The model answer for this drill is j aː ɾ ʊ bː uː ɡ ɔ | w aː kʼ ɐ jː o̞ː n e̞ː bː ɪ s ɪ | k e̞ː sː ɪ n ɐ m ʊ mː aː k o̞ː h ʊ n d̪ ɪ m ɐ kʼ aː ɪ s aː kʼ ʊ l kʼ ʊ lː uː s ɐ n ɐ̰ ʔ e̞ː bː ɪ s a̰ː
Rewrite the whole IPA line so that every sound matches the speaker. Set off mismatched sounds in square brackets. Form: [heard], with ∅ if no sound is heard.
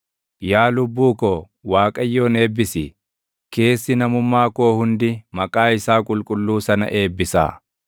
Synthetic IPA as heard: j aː [l] ʊ bː uː [k] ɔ | w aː kʼ ɐ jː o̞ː n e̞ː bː ɪ s ɪ | k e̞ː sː ɪ n ɐ m ʊ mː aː k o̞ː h ʊ n d̪ ɪ m ɐ kʼ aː ɪ s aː kʼ ʊ l kʼ ʊ lː uː s ɐ n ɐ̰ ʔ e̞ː bː ɪ s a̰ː